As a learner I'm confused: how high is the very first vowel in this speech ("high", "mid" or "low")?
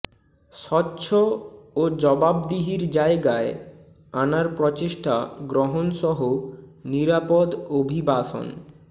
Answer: mid